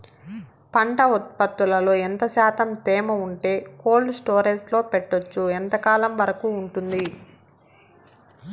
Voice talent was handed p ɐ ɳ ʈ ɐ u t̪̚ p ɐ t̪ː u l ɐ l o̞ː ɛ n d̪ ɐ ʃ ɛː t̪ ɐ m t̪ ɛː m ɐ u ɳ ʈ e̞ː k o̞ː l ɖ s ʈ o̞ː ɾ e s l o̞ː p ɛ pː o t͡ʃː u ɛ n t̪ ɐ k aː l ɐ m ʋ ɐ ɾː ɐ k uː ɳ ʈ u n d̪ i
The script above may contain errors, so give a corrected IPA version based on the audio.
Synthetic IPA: p ɐ ɳ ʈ ɐ u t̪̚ p ɐ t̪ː u l ɐ l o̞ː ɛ n t̪ ɐ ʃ aː t̪ ɐ m t̪ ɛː m ɐ u ɳ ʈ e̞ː k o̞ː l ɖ s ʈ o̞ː ɾ e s l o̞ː p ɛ ʈː o t͡ʃː u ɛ n t̪ ɐ k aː l ɐ m ʋ ɐ ɾ ɐ k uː ɳ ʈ u n d̪ i

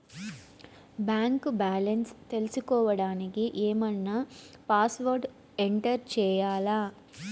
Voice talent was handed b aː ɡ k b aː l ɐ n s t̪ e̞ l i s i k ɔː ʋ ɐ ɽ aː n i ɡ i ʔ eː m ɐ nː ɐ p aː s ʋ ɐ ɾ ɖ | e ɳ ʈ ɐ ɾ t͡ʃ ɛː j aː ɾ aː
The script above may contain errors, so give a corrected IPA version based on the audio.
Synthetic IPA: b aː ŋ k b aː l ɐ n s t̪ e̞ l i s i k ɔː ʋ ɐ ɽ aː n i k i ʔ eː m ɐ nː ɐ p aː s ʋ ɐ ɾ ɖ | e ɳ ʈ ɐ ɾ t͡ʃ ɛː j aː l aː

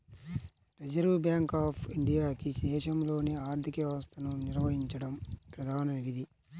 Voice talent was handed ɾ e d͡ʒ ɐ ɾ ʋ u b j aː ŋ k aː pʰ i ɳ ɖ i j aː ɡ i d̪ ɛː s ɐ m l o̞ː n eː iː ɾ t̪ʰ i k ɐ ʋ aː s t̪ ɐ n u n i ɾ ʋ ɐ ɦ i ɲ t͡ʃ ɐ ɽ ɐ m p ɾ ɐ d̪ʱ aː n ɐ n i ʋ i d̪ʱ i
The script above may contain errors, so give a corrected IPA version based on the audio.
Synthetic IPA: ɾ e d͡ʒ ɐ ɾ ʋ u b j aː ŋ k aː pʰ i ɳ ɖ i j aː k i d̪ ɛː ʃ ɐ m l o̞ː n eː aː ɾ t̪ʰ i k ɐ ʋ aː s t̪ ɐ n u n i ɾ ʋ ɐ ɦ i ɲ t͡ʃ ɐ ɽ ɐ m p ɾ ɐ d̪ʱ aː n ɐ n i ʋ i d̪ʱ i

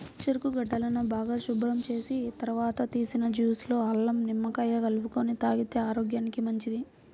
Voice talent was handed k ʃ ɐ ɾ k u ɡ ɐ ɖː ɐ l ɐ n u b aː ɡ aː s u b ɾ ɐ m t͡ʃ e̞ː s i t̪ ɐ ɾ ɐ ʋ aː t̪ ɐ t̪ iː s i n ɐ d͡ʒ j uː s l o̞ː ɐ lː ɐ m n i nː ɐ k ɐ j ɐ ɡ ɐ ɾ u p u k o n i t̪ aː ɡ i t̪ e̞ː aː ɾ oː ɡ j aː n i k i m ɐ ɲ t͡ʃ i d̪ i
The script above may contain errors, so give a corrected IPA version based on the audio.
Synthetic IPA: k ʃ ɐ ɾ k u ɡ ɐ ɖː ɐ l ɐ n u b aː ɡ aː ʃ u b ɾ ɐ m t͡ʃ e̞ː s i t̪ ɐ ɾ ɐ ʋ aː t̪ ɐ t̪ iː s i n ɐ d͡ʒ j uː s l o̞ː ɐ lː ɐ m n i mː ɐ k ɐ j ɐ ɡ ɐ l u p u k o n i t̪ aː ɡ i t̪ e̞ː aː ɾ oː ɡ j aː n i k i m ɐ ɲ t͡ʃ i d̪ i

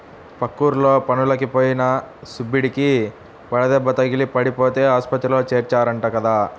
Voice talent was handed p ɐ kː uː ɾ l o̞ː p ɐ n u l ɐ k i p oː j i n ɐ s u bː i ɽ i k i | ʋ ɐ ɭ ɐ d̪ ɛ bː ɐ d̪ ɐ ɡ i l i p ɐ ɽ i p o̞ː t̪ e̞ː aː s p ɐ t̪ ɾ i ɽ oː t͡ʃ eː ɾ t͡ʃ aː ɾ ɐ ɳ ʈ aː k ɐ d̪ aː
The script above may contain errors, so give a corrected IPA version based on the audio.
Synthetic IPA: p ɐ kː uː ɾ l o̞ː p ɐ n u l ɐ k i p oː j i n ɐ s u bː i ɽ i k i | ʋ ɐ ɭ ɐ d̪ ɛ bː ɐ t̪ ɐ ɡ i l i p ɐ ɽ i p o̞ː t̪ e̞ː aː s p ɐ t̪ ɾ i l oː t͡ʃ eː ɾ t͡ʃ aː ɾ ɐ ɳ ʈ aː k ɐ d̪ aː

